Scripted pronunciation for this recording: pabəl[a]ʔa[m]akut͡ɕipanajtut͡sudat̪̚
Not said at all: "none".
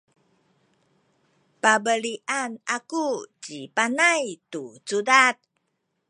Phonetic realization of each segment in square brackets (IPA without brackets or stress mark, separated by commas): i, n